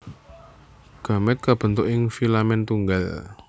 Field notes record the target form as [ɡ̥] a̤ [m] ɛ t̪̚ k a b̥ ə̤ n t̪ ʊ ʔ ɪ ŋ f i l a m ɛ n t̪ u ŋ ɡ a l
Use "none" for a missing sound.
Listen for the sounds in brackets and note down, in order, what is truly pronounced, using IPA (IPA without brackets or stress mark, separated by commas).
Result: ɡ̥, m